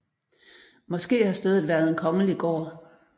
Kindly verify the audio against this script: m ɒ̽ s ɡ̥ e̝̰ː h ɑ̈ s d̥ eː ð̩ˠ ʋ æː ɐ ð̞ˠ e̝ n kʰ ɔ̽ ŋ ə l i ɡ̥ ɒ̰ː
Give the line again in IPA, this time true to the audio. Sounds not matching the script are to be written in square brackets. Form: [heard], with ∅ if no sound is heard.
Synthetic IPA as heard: m ɒ̽ s ɡ̥ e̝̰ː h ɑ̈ s d̥ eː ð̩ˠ ʋ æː ɐ ð̞ˠ e̝ n kʰ [ɒ̽] ŋ ə l i ɡ̥ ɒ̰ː

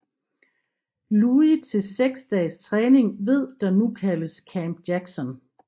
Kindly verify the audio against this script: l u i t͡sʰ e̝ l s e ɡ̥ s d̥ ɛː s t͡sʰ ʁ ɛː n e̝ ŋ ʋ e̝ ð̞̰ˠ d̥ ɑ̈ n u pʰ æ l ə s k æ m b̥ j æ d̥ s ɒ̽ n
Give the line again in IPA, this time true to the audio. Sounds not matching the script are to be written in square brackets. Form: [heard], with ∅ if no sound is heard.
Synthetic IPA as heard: l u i t͡sʰ e̝ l s e ɡ̥ s d̥ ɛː s t͡sʰ ʁ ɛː n e̝ ŋ ʋ e̝ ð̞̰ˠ d̥ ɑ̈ n u [kʰ] æ l ə s [kʰ] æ m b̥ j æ [ɡ̥] s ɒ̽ n

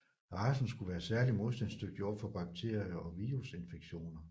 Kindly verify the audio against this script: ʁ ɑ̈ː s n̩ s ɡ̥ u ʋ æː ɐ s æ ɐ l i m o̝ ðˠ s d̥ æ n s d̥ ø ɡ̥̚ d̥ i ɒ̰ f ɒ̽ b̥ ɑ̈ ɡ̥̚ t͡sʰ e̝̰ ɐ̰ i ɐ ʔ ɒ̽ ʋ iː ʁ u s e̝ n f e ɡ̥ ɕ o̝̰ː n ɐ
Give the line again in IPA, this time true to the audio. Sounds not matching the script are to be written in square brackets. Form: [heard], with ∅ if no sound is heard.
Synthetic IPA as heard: ʁ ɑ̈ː s n̩ s ɡ̥ u ʋ æː ɐ s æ ɐ l i m o̝ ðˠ s d̥ æ n s d̥ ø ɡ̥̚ d̥ i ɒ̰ f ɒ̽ b̥ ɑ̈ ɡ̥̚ t͡sʰ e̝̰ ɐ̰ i ɐ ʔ ɒ̽ ʋ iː ʁ u s e̝ n f e ɡ̥ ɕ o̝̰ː n ɐ

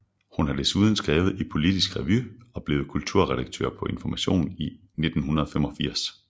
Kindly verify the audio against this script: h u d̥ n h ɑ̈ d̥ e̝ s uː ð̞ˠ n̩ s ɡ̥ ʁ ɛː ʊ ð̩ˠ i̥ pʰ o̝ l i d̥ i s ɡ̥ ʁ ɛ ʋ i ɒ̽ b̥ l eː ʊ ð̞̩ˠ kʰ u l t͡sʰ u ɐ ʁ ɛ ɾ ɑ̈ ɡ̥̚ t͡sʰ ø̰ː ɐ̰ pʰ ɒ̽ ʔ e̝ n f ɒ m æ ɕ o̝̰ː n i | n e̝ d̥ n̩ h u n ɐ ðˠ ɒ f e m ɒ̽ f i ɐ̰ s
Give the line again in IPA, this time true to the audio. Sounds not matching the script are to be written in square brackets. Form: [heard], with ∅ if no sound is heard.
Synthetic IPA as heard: h u [∅] n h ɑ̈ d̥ e̝ s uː ð̞ˠ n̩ s ɡ̥ ʁ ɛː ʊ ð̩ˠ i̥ pʰ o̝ l i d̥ i s ɡ̥ ʁ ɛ ʋ [y] ɒ̽ b̥ l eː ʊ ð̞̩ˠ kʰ u l t͡sʰ u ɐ ʁ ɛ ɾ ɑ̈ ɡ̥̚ t͡sʰ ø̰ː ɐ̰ pʰ ɒ̽ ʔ e̝ n f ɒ m æ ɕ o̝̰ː n i | n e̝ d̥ n̩ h u n ɐ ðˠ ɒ f e m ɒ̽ f i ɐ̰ s

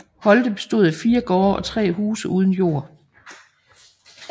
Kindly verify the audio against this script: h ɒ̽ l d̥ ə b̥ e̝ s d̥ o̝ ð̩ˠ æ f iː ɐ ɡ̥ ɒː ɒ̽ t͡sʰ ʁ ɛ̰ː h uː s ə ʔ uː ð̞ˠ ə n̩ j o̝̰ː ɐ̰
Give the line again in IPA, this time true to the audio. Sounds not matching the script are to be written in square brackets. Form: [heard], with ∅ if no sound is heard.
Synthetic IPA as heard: h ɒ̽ l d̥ ə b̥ e̝ s d̥ o̝ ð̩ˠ æ f iː ɐ ɡ̥ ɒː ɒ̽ t͡sʰ ʁ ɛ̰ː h uː s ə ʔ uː ð̞ˠ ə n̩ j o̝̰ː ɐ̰

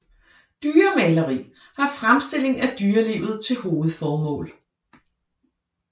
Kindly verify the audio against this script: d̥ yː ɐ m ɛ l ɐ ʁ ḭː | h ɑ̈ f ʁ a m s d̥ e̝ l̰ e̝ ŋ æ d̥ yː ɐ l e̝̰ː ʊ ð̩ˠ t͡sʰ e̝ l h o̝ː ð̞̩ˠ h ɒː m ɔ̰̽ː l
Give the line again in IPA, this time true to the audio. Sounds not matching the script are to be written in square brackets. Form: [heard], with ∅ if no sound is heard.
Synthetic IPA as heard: d̥ yː ɐ m ɛ l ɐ ʁ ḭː | h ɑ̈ f ʁ a m s d̥ e̝ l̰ e̝ ŋ æ d̥ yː ɐ l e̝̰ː ʊ ð̩ˠ t͡sʰ e̝ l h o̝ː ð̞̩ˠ [f] ɒː m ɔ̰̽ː l

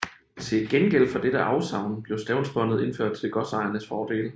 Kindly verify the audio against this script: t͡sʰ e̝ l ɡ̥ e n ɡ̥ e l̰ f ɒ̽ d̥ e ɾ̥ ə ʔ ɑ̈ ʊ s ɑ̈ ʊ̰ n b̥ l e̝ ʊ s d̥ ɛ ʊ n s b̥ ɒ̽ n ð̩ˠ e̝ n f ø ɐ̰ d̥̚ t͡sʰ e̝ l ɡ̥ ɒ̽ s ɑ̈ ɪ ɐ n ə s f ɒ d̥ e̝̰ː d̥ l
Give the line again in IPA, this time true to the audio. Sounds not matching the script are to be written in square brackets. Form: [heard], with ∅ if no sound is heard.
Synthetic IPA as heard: t͡sʰ e̝ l ɡ̥ e n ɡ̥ e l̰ f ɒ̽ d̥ e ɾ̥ ə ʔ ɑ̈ ʊ s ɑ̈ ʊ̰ n b̥ l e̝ ʊ s d̥ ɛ ʊ n s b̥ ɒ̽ n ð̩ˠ e̝ n f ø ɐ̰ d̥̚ t͡sʰ e̝ l ɡ̥ ɒ̽ s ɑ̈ ɪ ɐ n ə s f [ɒː] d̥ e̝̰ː [∅] l

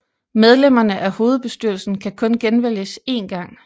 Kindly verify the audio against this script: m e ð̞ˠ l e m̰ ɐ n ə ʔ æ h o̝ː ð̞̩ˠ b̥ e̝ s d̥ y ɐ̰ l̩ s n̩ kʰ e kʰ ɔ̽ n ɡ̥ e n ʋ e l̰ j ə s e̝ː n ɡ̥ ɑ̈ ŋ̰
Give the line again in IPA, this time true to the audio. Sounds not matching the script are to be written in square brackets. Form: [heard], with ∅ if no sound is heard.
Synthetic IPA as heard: m e ð̞ˠ l e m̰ ɐ n ə ʔ æ h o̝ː ð̞̩ˠ b̥ e̝ s d̥ y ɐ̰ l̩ s n̩ kʰ [æ] kʰ ɔ̽ n ɡ̥ e n ʋ e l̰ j ə s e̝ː n ɡ̥ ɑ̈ ŋ̰

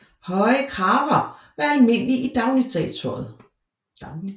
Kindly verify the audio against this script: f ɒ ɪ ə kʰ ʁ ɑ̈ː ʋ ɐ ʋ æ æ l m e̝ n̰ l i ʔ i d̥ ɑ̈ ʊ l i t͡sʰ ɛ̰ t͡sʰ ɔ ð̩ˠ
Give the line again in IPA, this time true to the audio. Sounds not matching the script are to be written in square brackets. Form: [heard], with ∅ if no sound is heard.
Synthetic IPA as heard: [h] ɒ ɪ ə kʰ ʁ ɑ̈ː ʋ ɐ ʋ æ æ l m e̝ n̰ l i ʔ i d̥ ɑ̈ ʊ l i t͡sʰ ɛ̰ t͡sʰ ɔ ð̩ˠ

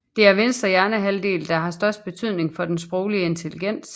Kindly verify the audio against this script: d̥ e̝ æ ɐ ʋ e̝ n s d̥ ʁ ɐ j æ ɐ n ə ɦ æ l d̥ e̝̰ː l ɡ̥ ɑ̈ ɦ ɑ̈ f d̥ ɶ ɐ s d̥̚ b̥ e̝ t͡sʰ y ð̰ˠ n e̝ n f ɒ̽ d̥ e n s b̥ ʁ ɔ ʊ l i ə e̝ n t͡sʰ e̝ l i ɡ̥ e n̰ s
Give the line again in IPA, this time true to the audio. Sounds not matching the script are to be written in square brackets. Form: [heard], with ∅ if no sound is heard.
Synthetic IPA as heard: d̥ e̝ æ ɐ ʋ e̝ n s d̥ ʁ ɐ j æ ɐ n ə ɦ æ l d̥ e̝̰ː l [d̥] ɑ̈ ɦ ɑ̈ [s] d̥ ɶ ɐ s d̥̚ b̥ e̝ t͡sʰ y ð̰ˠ n e̝ [ŋ] f ɒ̽ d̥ e n s b̥ ʁ ɔ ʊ l i ə e̝ n t͡sʰ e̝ l i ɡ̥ e n̰ s

